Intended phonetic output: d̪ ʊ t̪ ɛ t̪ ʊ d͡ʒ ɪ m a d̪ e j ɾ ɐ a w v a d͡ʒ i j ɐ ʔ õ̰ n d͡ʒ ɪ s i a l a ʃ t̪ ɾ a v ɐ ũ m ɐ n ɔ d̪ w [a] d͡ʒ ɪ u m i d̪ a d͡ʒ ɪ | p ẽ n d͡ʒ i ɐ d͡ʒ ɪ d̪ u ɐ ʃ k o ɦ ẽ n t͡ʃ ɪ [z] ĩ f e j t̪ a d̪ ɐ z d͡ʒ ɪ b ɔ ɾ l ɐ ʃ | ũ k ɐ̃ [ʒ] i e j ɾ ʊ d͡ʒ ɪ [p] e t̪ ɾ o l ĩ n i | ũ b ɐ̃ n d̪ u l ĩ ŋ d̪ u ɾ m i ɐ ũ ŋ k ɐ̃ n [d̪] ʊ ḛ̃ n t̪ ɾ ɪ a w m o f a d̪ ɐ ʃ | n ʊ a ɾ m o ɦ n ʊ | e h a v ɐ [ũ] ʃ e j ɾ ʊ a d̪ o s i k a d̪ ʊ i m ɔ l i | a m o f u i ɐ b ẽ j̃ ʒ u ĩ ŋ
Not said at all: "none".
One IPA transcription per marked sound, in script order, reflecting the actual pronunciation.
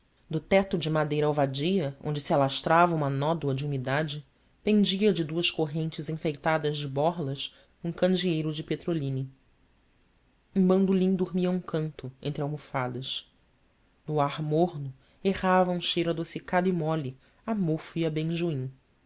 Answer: ɐ, z, d͡ʒ, p, t̪, ũ

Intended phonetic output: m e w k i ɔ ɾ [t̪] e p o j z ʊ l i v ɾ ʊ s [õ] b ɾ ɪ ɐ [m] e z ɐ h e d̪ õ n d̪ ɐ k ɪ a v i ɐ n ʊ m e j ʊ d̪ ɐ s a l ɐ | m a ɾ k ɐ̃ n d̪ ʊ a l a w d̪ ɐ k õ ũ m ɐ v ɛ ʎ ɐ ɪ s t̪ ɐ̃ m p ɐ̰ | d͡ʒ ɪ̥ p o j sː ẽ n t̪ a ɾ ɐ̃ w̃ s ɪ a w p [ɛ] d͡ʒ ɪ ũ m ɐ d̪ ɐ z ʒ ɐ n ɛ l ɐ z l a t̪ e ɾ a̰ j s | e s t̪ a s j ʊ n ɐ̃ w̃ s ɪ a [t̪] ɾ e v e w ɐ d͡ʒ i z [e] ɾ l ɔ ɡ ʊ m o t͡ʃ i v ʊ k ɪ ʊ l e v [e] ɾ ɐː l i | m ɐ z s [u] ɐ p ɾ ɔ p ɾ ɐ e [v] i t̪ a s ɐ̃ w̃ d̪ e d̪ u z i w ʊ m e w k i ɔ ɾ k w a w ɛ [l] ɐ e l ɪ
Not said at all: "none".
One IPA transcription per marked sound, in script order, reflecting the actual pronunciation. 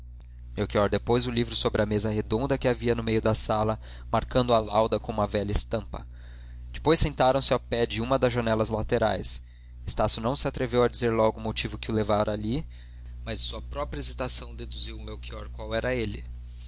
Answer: d̪, o, m, ɛ, t̪, e, a, u, z, ɾ

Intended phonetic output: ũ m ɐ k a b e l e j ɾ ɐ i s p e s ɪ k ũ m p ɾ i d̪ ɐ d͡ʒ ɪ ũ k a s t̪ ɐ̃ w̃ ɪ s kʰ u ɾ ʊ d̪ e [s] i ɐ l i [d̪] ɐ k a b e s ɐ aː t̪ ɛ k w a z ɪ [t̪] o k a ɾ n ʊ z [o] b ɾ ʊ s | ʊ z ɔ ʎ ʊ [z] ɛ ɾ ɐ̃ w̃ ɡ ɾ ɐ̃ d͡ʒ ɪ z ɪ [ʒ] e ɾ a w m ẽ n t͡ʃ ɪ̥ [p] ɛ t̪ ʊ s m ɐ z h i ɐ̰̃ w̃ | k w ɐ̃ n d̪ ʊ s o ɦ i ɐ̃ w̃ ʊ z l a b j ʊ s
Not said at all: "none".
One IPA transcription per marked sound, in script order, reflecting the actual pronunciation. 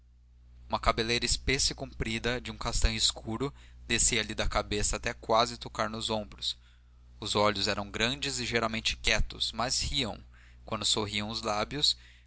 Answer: s, d̪, t̪, õ, z, ʒ, k

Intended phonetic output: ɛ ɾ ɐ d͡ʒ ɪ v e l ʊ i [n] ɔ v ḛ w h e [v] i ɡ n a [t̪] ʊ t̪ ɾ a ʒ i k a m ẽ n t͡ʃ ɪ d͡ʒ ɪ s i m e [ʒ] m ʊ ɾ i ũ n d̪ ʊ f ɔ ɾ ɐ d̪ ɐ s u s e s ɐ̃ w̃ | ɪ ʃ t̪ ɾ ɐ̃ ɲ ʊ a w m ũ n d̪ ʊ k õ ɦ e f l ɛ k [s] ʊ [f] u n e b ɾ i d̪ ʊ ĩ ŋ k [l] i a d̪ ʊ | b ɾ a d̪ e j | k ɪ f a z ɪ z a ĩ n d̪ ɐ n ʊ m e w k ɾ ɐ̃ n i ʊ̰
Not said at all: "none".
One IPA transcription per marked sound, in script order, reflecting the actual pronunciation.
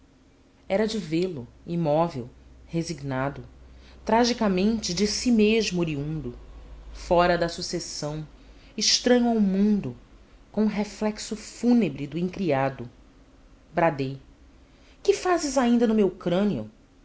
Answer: m, z, d̪, ʒ, s, f, ɾ

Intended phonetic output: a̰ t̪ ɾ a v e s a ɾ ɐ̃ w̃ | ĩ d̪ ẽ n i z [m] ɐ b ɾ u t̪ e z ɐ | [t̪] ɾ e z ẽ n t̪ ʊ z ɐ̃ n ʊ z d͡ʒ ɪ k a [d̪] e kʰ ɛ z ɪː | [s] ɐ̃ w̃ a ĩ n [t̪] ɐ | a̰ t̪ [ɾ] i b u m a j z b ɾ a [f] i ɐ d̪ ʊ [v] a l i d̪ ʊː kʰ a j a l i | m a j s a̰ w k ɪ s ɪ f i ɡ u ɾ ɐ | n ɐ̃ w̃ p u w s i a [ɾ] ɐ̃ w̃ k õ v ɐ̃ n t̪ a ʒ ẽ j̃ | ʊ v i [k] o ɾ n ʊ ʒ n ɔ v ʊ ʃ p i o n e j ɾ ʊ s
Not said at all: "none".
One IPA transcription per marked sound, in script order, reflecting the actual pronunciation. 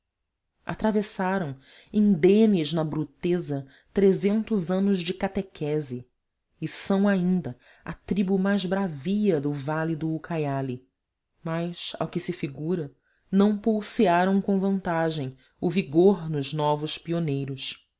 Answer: n, t̪, t̪, s, d̪, ɾ, v, v, ɾ, ɡ

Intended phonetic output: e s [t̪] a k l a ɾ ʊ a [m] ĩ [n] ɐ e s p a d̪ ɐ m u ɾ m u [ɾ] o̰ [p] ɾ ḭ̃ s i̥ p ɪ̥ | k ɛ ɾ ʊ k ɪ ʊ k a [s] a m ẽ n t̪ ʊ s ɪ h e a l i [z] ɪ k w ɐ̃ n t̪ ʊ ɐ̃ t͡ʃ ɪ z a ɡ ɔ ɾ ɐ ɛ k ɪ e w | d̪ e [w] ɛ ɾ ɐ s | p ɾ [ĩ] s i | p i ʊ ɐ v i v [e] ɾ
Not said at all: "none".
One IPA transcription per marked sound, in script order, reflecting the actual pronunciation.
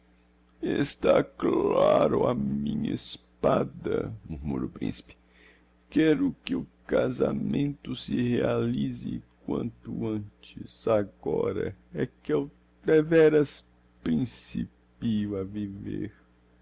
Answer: t̪, m, ɲ, ɾ, p, z, z, v, ĩ, e

